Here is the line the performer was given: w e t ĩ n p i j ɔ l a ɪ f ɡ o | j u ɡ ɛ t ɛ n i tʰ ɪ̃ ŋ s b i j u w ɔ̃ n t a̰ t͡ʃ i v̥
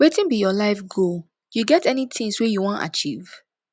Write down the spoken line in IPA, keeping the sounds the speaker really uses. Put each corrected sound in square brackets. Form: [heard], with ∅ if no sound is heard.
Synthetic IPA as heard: w e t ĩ n [b] i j ɔ l a ɪ f ɡ o | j u ɡ ɛ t ɛ n i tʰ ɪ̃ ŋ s [w] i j u w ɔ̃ n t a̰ t͡ʃ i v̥